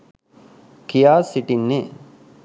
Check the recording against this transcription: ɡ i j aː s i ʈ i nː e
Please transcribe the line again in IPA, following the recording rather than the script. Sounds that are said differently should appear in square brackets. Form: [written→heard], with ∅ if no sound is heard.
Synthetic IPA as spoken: [ɡ→k] i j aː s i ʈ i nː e